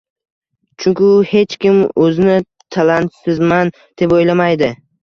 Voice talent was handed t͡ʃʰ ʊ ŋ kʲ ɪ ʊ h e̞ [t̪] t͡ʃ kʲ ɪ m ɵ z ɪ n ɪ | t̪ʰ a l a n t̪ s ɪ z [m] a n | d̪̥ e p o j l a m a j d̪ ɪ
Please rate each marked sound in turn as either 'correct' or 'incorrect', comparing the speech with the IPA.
incorrect, correct

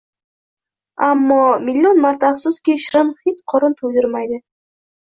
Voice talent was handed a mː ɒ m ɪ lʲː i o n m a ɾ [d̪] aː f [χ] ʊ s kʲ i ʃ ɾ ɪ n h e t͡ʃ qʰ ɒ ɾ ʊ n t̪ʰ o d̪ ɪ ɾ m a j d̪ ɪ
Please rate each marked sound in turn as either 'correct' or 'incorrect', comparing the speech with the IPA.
incorrect, incorrect

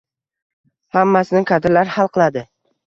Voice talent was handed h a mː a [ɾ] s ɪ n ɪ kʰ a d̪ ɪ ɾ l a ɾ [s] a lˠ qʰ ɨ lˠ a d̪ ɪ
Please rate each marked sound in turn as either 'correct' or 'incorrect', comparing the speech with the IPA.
incorrect, incorrect

